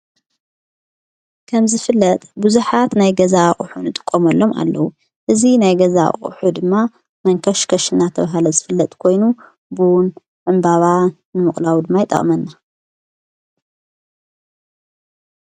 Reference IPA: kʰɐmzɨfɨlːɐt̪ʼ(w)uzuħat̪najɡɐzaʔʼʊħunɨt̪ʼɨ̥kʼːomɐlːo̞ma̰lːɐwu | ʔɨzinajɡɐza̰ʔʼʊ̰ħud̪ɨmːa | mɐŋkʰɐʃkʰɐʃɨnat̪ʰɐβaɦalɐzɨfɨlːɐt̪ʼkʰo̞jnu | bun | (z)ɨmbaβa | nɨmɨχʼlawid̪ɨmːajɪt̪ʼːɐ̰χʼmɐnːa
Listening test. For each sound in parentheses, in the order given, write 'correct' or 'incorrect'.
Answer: incorrect, incorrect

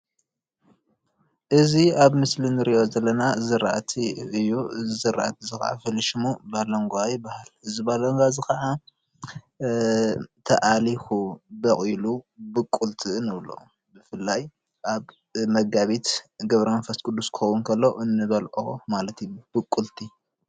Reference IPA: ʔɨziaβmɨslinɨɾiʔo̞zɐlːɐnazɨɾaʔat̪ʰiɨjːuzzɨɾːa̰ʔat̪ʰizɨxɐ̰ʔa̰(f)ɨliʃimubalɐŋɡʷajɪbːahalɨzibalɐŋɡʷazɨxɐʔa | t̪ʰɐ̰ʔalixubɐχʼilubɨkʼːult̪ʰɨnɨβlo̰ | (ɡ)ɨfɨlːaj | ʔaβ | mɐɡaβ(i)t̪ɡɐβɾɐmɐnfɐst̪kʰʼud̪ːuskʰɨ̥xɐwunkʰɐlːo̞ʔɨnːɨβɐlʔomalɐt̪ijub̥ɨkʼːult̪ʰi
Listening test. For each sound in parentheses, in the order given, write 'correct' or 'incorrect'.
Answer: correct, incorrect, correct

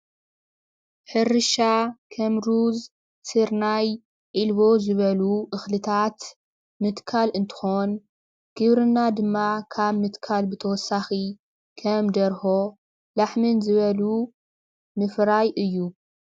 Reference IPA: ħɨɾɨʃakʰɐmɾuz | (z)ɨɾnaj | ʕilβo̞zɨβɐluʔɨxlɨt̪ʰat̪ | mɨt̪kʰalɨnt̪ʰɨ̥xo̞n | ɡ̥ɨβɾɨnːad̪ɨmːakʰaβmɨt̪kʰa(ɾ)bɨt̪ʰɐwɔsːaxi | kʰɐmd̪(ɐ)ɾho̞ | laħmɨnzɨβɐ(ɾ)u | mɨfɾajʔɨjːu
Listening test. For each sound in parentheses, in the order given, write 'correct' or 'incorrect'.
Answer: incorrect, incorrect, correct, incorrect

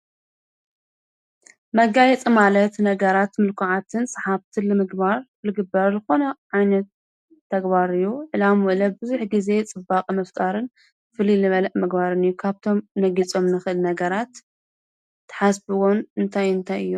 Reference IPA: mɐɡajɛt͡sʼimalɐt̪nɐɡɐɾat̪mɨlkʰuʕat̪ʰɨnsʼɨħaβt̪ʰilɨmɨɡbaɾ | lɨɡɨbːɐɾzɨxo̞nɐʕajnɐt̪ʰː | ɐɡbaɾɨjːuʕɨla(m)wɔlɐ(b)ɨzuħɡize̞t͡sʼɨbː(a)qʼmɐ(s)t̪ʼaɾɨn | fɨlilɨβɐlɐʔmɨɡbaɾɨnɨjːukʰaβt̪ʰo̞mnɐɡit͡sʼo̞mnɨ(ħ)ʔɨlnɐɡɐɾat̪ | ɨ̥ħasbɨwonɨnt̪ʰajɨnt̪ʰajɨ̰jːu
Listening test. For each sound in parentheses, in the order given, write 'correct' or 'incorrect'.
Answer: correct, correct, correct, incorrect, incorrect

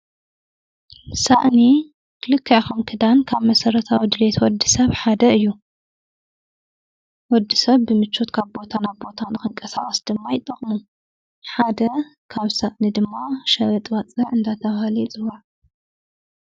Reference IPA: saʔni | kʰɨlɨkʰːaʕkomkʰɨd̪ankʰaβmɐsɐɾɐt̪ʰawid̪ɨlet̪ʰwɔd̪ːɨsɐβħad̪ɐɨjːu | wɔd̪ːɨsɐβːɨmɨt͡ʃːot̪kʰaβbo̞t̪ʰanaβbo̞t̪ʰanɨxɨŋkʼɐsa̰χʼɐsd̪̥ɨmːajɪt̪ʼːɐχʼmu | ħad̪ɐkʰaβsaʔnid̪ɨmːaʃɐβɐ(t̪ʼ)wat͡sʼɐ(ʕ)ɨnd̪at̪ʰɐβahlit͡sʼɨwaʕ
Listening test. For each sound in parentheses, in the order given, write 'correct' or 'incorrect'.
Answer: correct, correct

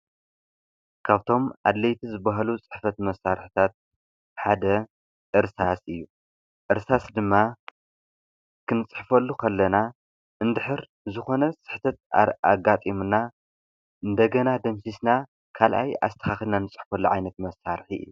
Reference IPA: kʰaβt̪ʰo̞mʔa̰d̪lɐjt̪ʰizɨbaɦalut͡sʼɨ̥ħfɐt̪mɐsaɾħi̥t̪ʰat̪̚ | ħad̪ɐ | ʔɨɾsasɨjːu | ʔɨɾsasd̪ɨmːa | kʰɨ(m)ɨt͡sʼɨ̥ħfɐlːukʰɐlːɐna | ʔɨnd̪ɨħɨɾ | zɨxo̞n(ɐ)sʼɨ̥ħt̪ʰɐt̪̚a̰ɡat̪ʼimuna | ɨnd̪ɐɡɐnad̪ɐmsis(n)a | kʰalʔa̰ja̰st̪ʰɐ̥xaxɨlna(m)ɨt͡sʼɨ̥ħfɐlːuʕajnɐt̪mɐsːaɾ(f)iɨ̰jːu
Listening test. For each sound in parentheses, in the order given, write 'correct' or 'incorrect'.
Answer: incorrect, correct, correct, incorrect, incorrect

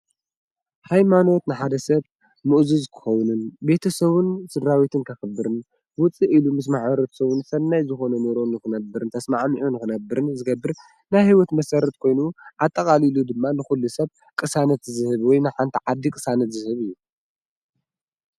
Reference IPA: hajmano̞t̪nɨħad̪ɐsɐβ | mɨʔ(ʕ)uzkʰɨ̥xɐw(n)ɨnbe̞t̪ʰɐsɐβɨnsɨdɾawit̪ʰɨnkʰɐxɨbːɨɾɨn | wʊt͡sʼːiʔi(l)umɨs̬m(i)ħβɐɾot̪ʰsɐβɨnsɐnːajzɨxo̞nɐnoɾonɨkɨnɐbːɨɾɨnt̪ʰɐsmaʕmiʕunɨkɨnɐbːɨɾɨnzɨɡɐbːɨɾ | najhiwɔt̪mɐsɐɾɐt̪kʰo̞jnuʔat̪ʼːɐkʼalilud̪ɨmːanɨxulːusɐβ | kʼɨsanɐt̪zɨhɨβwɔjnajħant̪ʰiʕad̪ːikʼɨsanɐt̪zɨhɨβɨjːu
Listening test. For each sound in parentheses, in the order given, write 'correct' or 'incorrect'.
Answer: incorrect, correct, correct, incorrect

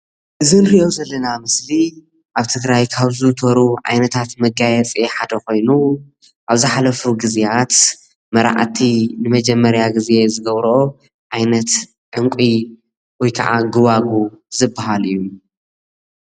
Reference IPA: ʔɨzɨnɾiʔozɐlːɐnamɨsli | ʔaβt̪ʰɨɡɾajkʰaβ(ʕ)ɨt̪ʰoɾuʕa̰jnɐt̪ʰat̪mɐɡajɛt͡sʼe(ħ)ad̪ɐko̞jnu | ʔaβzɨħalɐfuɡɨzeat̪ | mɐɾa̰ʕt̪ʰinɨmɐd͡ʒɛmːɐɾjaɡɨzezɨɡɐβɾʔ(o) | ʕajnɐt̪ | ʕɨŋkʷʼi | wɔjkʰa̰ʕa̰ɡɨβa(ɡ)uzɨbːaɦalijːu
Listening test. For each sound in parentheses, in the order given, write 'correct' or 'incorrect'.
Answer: incorrect, correct, correct, correct

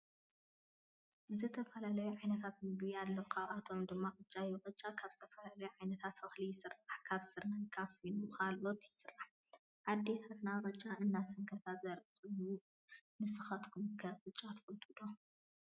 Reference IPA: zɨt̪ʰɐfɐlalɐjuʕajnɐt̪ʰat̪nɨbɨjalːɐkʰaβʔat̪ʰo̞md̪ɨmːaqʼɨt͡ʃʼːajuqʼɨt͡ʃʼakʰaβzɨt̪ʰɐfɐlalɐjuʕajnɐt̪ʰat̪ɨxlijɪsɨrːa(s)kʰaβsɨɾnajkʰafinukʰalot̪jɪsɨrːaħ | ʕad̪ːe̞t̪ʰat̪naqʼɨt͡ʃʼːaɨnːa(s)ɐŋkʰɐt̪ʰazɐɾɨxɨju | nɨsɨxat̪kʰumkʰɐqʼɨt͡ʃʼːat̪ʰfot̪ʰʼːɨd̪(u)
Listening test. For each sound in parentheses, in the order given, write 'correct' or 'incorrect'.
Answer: incorrect, correct, incorrect

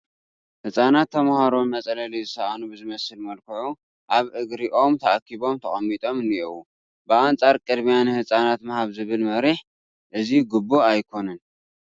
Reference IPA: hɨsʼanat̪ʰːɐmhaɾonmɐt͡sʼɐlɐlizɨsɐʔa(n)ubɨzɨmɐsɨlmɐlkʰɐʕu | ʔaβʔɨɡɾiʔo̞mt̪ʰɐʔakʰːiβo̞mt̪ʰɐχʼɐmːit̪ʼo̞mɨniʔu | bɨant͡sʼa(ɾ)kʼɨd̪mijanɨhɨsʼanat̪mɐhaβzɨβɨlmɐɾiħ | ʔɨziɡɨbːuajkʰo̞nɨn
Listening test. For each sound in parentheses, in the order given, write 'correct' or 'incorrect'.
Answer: correct, correct

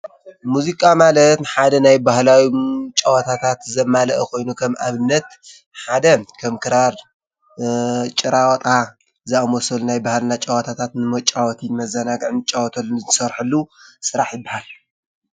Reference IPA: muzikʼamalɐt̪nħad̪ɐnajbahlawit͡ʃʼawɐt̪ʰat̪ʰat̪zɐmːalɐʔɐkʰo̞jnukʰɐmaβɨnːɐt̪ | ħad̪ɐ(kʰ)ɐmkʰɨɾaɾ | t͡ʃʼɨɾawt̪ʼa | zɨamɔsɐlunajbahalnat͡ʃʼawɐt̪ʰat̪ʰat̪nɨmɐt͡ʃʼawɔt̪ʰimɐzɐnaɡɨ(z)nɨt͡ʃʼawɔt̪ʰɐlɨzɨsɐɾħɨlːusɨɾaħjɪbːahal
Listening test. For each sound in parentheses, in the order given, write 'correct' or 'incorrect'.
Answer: correct, incorrect

